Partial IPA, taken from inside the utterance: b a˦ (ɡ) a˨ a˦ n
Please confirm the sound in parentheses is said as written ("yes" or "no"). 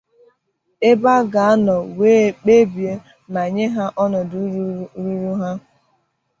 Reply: yes